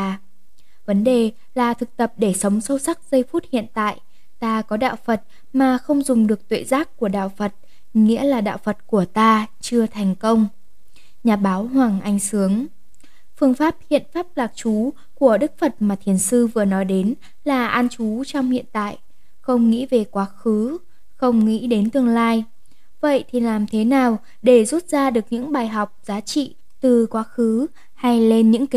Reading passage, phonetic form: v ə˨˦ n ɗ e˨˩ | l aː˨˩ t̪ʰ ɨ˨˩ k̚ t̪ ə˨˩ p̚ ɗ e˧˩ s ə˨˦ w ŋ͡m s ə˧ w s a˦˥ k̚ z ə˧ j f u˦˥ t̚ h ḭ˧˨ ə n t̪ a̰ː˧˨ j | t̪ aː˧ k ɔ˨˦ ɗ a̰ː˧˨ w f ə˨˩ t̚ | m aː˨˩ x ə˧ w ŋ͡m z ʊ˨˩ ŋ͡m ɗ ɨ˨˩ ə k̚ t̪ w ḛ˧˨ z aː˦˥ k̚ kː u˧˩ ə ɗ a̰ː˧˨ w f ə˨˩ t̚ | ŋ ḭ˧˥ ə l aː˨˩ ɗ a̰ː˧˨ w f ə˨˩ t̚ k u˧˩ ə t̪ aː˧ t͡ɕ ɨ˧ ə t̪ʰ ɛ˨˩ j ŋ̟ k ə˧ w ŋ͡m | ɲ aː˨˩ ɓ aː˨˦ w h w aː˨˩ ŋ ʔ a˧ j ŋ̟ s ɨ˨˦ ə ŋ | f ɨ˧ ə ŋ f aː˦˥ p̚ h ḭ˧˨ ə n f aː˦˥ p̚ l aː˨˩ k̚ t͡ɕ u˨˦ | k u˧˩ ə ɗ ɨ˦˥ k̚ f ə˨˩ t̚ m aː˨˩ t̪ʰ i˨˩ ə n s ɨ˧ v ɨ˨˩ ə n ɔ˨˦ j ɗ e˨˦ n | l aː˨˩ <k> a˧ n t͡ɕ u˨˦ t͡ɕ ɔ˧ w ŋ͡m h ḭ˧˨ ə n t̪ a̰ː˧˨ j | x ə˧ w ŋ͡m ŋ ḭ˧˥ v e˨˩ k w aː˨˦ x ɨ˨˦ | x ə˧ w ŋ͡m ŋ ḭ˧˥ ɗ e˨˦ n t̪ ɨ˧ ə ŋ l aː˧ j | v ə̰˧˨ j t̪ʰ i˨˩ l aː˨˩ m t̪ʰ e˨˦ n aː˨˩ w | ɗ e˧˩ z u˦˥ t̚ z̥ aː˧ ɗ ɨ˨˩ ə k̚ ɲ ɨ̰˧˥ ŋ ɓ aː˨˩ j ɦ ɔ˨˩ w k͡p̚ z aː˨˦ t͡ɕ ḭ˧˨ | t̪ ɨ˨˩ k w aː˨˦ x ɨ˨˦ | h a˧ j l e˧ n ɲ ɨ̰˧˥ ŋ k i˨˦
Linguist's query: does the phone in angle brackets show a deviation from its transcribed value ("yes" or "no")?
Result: yes